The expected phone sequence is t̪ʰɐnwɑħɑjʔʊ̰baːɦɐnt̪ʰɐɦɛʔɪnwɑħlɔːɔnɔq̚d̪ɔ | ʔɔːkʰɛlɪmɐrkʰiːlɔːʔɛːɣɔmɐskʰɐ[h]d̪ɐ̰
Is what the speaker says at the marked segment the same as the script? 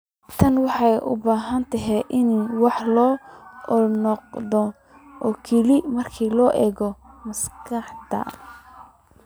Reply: no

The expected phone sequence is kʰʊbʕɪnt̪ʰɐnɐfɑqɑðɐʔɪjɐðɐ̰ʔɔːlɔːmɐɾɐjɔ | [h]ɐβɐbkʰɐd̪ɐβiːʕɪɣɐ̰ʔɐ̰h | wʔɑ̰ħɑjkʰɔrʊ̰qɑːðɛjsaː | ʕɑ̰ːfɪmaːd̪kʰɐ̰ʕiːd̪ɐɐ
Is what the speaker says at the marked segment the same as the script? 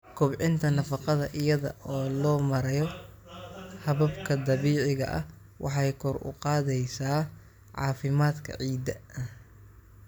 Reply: yes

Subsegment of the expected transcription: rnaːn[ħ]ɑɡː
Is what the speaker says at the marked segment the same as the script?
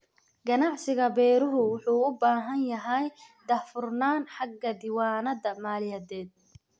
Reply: yes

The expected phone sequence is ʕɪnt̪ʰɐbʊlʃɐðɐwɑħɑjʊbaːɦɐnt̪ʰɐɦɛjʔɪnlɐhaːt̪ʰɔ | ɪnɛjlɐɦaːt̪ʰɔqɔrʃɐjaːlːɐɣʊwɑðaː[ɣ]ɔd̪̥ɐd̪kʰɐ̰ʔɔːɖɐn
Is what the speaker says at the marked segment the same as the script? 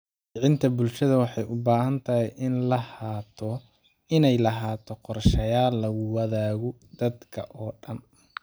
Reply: yes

